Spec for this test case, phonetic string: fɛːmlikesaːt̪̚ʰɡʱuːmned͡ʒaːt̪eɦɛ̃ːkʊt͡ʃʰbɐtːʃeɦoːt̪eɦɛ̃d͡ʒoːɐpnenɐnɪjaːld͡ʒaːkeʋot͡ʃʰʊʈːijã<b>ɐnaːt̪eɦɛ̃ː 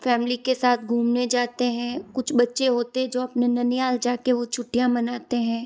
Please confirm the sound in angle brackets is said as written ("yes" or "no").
no